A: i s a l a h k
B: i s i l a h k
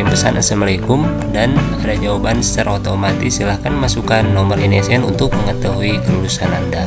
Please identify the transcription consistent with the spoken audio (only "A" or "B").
B